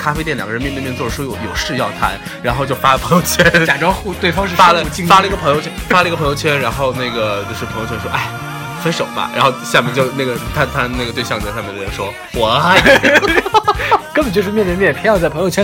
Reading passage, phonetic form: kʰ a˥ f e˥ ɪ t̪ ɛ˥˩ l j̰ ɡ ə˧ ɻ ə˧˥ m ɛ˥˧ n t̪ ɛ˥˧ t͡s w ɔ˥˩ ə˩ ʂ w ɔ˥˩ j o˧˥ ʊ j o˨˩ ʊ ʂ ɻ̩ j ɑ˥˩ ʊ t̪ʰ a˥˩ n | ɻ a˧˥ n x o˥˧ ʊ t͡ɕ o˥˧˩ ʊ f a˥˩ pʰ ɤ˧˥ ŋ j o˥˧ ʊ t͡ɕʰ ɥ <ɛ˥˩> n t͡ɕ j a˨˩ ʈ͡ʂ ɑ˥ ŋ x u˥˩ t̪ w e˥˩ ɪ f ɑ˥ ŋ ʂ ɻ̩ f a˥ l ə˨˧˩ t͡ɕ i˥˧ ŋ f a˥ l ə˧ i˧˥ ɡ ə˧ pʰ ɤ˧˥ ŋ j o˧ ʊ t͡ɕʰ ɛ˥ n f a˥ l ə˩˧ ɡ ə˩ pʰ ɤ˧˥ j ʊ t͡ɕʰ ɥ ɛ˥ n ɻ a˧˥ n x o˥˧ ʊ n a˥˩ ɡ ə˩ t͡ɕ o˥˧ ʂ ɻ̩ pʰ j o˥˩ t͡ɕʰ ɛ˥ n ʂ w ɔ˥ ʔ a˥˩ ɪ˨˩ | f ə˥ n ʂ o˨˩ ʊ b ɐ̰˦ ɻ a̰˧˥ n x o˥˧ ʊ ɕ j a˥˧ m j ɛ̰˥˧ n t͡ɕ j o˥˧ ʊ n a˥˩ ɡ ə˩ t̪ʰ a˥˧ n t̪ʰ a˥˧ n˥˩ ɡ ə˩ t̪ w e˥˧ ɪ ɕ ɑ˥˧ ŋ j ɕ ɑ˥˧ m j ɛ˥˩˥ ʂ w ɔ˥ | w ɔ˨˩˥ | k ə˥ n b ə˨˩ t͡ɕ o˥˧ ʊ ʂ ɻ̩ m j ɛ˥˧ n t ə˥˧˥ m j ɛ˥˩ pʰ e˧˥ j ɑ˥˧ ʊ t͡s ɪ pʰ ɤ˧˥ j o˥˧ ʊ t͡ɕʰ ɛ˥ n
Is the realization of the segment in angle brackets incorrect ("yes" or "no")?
yes